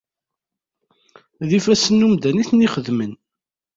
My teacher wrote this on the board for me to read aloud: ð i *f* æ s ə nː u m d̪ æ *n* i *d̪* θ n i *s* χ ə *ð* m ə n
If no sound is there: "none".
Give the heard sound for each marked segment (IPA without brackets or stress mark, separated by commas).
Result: f, n, none, none, ð